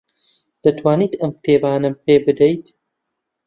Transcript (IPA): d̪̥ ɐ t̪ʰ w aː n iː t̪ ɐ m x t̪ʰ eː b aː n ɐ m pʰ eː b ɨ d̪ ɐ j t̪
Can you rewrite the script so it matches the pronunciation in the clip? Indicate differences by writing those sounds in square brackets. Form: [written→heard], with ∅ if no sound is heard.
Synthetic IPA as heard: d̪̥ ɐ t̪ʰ w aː n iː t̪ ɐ m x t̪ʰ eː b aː n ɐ m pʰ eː b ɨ d̪ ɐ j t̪